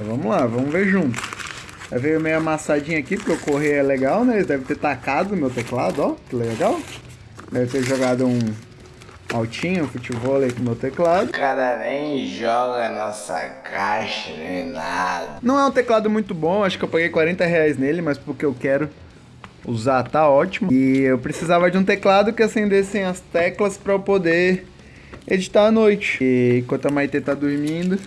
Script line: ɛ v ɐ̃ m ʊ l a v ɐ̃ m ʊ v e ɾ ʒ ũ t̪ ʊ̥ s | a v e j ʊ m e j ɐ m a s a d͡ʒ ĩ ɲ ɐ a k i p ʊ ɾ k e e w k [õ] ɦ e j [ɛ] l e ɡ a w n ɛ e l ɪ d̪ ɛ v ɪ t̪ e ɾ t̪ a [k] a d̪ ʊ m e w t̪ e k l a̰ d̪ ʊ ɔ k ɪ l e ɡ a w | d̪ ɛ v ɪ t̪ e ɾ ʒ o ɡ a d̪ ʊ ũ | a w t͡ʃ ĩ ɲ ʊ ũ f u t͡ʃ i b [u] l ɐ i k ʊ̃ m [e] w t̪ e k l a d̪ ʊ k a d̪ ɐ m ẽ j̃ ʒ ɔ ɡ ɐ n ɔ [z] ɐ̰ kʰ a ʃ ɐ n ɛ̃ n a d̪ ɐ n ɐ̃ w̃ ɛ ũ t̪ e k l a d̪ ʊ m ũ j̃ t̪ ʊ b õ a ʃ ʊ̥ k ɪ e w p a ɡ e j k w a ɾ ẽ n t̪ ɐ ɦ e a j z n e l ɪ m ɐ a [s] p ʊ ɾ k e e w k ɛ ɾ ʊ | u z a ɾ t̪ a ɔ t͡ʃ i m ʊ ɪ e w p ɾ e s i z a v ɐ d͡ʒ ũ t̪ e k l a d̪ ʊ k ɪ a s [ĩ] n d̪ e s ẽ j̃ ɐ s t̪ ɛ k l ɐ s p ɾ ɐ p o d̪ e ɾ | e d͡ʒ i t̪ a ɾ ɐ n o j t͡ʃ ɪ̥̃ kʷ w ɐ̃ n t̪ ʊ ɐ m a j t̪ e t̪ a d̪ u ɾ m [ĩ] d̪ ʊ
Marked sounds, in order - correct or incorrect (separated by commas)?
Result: incorrect, correct, correct, incorrect, correct, incorrect, correct, incorrect, correct